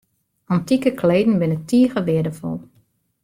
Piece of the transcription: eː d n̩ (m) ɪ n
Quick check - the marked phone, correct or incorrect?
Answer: incorrect